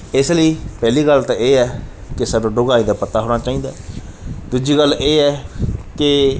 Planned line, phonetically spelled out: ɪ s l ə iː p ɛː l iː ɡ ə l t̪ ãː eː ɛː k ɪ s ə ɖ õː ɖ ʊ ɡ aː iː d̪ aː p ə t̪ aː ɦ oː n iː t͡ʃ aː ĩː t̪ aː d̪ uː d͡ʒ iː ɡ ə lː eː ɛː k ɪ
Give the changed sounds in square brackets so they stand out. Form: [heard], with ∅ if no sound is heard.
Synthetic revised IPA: ɪ s l ə iː p ɛː l iː ɡ ə l t̪ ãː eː ɛː k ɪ s ə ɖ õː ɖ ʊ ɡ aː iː d̪ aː p ə t̪ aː ɦ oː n [aː] t͡ʃ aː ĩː [d̪] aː d̪ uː d͡ʒ iː ɡ ə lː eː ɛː k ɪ